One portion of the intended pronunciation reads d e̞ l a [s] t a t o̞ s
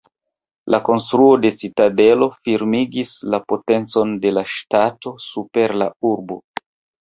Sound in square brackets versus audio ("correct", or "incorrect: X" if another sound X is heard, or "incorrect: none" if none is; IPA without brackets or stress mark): incorrect: ʃ